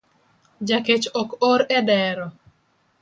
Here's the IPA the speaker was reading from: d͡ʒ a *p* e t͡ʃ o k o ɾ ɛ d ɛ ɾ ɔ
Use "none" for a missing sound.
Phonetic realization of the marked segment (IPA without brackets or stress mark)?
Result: k